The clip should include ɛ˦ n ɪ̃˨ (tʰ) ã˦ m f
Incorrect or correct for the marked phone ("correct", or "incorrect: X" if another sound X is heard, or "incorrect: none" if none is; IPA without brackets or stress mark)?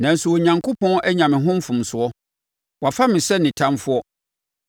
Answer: correct